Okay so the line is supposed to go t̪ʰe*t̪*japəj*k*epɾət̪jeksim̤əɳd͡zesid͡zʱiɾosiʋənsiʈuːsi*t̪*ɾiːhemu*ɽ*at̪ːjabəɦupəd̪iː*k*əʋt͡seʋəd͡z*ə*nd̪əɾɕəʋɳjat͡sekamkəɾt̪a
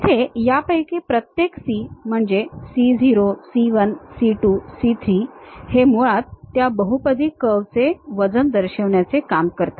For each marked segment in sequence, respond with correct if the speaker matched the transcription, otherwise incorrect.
incorrect: none, correct, incorrect: t̪ʰ, incorrect: ɭ, correct, correct

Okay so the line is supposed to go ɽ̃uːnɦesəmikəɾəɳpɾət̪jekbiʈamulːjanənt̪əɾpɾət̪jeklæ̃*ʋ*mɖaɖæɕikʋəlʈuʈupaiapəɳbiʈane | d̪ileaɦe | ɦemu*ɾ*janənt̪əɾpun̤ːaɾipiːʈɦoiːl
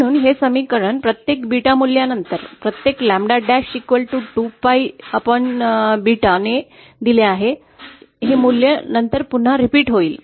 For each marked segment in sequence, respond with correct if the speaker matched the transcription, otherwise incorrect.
incorrect: none, incorrect: l

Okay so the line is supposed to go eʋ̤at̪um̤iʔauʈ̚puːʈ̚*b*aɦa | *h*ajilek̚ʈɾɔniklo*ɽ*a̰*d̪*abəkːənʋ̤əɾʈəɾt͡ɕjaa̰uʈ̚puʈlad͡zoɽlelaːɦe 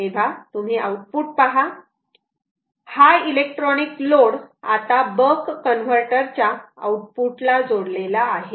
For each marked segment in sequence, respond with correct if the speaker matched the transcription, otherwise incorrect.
incorrect: p, correct, correct, incorrect: t̪

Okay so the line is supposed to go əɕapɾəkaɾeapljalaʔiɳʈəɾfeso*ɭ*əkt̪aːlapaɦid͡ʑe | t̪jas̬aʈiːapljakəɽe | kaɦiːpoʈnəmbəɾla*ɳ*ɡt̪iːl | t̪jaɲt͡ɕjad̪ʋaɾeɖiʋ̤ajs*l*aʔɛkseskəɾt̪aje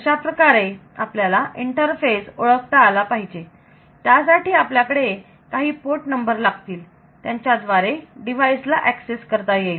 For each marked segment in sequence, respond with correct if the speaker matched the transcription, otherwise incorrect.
correct, incorrect: none, correct

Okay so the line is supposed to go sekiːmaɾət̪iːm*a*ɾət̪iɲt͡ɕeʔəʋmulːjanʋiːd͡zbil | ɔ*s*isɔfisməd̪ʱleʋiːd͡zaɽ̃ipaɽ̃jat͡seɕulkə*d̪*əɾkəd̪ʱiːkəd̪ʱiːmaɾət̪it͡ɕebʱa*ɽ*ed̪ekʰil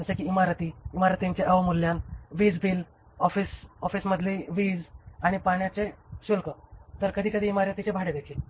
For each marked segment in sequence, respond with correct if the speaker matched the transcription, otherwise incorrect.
correct, incorrect: f, incorrect: t̪, correct

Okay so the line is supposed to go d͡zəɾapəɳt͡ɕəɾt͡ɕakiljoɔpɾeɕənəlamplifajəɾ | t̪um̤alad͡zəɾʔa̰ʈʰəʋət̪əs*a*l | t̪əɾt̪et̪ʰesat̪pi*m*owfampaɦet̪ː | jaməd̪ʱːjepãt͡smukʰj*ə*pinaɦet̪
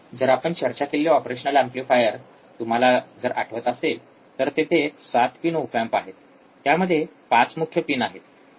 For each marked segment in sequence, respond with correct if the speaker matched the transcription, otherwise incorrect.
incorrect: e, incorrect: n, correct

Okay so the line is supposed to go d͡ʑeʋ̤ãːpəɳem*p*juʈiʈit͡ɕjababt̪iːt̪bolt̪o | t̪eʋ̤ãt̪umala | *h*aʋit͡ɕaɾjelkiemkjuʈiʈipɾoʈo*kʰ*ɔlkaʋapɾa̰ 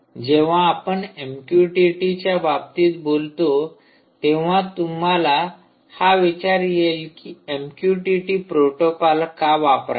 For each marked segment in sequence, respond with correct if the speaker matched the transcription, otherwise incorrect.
incorrect: k, correct, incorrect: k

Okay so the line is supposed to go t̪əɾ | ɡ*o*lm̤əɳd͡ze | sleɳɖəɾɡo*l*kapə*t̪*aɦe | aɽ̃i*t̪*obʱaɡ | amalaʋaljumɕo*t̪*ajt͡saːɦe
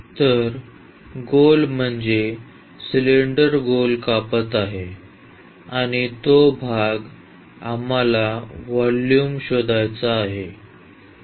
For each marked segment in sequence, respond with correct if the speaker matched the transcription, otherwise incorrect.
correct, correct, correct, correct, incorrect: d̪

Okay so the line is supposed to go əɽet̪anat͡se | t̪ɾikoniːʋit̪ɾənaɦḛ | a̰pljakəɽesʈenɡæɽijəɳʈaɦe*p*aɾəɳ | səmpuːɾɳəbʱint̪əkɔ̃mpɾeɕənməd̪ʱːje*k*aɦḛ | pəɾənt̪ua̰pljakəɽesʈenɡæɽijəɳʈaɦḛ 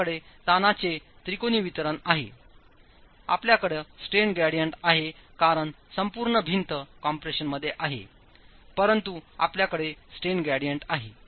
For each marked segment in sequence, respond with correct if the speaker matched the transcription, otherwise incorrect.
incorrect: k, incorrect: ʔ

